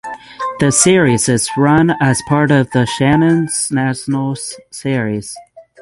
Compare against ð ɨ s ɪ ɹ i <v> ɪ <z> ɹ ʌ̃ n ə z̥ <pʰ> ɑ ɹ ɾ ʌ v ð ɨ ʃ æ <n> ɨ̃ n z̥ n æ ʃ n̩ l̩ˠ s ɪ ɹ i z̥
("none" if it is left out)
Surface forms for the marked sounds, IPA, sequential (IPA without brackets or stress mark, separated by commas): z, z, pʰ, n